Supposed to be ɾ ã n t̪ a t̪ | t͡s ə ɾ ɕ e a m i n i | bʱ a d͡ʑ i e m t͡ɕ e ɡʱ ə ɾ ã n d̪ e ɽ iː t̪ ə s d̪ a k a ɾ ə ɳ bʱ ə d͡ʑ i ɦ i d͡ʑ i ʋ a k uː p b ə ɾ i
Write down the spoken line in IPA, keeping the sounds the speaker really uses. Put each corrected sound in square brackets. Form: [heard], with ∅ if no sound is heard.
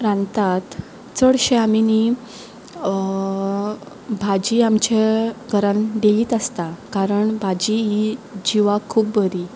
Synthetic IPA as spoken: ɾ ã n t̪ a t̪ | t͡s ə [ɽ] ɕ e a m i n i | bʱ a d͡ʑ i [a] m t͡ɕ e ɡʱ ə ɾ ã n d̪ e [l] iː t̪ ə s [t̪] a k a ɾ ə ɳ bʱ [a] d͡ʑ i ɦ i d͡ʑ i ʋ a [kʰ] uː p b ə ɾ i

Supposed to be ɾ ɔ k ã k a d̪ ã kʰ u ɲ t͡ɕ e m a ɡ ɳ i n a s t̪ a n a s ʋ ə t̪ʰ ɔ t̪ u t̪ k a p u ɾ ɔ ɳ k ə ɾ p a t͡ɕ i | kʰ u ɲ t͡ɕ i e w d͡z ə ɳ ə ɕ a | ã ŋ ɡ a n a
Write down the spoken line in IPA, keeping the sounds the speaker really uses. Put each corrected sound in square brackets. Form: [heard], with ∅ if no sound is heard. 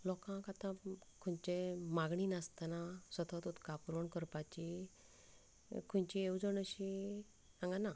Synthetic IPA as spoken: [l] ɔ k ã k a [t̪] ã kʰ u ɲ t͡ɕ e m a ɡ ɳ i n a s t̪ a n a s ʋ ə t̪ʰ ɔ t̪ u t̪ k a p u ɾ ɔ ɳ k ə ɾ p a t͡ɕ i | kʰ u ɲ t͡ɕ i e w d͡z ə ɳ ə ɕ [i] | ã ŋ ɡ a n a

